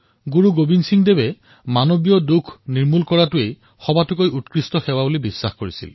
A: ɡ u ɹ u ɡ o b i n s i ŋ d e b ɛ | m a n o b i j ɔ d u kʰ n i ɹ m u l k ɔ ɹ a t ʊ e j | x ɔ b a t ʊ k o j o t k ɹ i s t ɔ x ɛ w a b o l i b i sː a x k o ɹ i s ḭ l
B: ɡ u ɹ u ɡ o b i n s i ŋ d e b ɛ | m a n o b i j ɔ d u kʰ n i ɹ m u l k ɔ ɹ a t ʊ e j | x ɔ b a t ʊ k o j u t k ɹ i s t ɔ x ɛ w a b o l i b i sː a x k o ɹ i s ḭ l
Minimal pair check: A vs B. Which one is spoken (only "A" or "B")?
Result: B